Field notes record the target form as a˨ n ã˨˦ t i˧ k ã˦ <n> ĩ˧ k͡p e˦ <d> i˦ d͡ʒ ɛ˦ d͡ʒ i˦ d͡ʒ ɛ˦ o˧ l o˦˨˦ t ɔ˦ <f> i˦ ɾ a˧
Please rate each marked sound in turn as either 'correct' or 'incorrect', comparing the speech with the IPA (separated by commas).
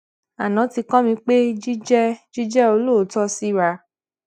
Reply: incorrect, incorrect, incorrect